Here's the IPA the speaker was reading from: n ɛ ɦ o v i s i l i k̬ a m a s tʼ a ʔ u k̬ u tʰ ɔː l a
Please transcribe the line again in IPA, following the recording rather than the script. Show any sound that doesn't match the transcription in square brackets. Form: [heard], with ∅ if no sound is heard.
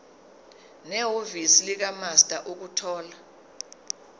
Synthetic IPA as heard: n ɛ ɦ o v i s i l i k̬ a m a s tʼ a ʔ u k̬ u tʰ ɔː l a